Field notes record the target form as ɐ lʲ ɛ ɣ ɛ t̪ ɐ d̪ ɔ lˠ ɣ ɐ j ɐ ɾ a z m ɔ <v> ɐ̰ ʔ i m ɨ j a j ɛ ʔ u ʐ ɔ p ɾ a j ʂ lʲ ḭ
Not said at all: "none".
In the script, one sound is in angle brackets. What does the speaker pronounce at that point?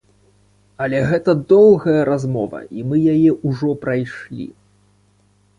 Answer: v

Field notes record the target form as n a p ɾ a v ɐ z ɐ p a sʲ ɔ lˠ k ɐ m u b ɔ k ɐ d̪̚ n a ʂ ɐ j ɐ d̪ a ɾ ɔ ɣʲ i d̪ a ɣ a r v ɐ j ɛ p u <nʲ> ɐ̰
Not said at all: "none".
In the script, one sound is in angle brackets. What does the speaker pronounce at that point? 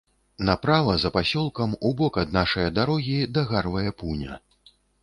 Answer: nʲ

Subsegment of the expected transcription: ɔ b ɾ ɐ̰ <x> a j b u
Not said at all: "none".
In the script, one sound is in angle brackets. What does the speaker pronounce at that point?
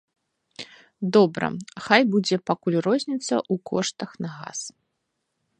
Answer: x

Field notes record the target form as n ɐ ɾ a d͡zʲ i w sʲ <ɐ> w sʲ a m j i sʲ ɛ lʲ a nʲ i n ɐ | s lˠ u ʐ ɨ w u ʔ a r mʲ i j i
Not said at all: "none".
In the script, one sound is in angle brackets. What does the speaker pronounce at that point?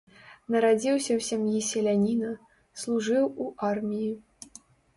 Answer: ɐ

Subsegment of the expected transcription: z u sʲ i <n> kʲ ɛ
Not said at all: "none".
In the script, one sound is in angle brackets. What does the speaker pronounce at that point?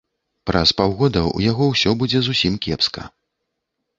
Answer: m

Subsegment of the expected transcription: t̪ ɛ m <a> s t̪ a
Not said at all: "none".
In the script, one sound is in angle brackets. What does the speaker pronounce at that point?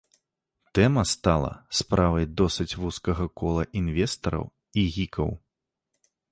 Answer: ɐ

